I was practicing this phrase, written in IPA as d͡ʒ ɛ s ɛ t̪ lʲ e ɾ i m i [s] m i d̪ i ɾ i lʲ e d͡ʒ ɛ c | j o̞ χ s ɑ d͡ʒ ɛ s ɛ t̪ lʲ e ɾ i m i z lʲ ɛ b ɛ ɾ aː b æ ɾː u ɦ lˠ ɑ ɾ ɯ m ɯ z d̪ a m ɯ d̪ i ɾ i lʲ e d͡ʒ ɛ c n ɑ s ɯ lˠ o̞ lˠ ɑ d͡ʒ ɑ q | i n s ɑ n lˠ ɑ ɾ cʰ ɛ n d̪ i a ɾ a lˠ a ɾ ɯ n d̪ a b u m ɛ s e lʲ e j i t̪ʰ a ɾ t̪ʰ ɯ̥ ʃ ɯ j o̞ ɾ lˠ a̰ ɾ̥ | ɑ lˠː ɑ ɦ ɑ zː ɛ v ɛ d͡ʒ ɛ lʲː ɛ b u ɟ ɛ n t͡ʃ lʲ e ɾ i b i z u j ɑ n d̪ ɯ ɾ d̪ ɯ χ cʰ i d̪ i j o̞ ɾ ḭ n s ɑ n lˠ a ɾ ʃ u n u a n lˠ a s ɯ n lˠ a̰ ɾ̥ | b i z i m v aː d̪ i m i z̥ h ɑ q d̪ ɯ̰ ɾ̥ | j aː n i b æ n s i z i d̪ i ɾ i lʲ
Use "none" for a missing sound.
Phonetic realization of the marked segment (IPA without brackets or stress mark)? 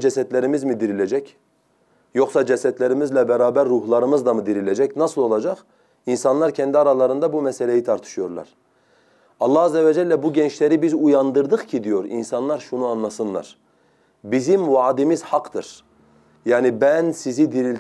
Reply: z